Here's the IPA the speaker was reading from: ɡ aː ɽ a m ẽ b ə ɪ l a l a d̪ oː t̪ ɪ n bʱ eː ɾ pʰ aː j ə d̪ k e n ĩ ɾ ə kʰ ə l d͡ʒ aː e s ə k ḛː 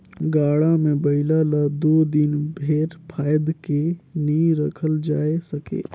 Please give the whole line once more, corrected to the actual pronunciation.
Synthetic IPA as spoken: ɡ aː ɽ a m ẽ b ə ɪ l a l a d̪ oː d̪ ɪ n bʱ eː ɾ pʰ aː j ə d̪ k e n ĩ ɾ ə kʰ ə l d͡ʒ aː e s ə k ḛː